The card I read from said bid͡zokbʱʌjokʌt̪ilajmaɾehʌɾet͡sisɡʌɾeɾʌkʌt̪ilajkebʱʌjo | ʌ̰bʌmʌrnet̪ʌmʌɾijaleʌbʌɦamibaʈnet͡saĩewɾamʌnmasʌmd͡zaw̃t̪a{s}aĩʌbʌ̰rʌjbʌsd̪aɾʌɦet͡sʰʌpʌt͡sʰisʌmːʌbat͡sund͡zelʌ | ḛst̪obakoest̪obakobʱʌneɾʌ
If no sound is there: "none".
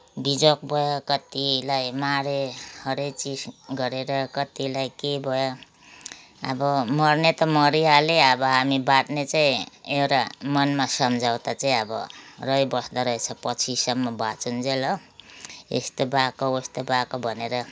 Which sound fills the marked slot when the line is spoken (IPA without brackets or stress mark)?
t͡s